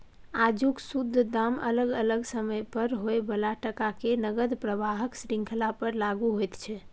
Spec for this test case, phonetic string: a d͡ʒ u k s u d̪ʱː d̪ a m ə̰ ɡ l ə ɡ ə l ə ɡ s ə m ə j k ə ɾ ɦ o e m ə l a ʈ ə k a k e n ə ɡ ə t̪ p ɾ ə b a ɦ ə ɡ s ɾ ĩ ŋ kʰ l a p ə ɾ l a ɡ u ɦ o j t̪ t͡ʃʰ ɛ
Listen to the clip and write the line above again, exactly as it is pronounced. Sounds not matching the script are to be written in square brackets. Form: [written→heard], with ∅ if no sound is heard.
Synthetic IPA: a d͡ʒ u k s u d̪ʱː d̪ a m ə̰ [ɡ→∅] l ə ɡ ə l ə ɡ s ə m ə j [k→p] ə ɾ ɦ o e [m→b] ə l a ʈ ə k a k e n ə ɡ ə [t̪→d̪] p ɾ ə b a ɦ ə [ɡ→k] s ɾ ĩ ŋ kʰ l a p ə ɾ l a ɡ u ɦ o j t̪ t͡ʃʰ ɛ